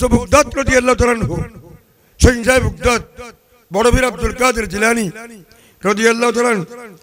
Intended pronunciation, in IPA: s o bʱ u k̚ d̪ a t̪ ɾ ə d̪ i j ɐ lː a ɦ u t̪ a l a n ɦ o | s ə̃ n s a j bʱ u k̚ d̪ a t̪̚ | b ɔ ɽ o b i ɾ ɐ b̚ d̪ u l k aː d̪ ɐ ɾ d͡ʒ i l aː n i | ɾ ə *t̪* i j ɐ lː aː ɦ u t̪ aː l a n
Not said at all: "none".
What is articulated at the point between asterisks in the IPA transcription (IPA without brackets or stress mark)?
d̪